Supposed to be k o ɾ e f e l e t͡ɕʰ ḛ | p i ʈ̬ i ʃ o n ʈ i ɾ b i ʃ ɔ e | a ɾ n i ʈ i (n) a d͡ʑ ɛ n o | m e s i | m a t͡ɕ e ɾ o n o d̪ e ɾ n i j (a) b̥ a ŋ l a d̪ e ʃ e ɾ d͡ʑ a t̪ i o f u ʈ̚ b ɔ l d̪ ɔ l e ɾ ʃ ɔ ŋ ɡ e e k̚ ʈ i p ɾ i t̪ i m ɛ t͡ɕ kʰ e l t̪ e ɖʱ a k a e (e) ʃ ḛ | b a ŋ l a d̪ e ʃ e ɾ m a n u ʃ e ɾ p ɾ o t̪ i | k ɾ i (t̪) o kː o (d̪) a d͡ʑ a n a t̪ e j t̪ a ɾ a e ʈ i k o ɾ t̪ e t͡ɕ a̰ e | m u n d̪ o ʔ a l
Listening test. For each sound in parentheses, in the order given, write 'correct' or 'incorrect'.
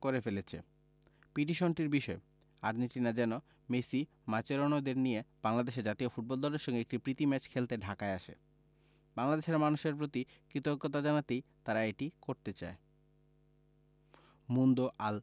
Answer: correct, incorrect, incorrect, correct, incorrect

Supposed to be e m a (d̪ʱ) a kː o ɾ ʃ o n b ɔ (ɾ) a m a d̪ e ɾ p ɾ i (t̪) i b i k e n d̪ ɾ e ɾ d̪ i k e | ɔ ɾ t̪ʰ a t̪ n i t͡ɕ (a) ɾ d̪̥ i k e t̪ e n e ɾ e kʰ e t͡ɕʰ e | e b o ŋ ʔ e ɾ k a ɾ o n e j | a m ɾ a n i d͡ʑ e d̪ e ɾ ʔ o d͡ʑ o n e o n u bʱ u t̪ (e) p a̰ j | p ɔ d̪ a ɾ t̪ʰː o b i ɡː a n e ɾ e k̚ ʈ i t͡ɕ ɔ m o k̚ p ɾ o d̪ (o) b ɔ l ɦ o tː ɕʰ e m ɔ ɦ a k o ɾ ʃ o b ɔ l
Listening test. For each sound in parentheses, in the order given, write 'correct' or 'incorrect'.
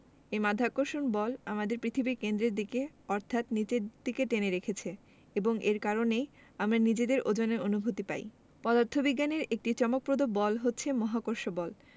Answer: correct, incorrect, incorrect, incorrect, incorrect, correct

